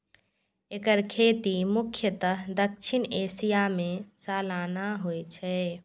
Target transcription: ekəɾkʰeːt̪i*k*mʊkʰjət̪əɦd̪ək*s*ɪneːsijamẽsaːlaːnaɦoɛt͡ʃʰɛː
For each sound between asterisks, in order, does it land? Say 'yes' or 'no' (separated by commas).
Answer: no, no